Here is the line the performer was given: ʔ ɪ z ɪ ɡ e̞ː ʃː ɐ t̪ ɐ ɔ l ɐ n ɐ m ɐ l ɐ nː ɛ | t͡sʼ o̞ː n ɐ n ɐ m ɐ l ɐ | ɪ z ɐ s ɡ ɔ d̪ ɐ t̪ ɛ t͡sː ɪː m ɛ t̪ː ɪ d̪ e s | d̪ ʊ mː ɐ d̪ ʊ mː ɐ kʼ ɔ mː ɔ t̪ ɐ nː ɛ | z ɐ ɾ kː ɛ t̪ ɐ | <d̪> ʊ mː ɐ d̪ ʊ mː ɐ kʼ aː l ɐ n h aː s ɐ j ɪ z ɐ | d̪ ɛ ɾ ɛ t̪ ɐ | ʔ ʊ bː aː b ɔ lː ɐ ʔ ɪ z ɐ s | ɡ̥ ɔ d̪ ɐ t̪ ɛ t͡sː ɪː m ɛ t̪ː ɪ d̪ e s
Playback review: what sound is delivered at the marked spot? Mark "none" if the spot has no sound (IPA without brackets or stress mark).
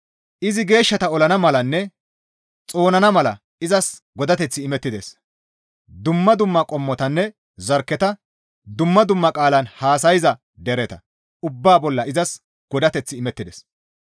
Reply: d̪